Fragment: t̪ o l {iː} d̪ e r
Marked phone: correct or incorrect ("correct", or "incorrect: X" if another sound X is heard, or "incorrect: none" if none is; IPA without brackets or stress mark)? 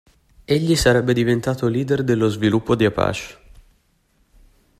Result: correct